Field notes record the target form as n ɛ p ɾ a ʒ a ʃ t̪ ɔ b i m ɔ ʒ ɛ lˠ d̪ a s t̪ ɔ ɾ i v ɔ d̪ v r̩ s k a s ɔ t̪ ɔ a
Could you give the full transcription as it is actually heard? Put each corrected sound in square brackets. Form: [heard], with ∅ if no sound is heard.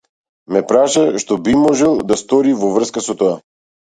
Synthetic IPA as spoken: [m] ɛ p ɾ a [ʃ] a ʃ t̪ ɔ b i m ɔ ʒ ɛ lˠ d̪ a s t̪ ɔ ɾ i v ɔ [∅] v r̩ s k a s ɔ t̪ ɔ a